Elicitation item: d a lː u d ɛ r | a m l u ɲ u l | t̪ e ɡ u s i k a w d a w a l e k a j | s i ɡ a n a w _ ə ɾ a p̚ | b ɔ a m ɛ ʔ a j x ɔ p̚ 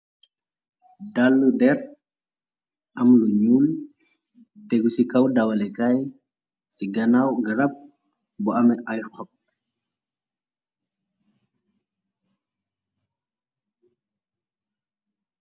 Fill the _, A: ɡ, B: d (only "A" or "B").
A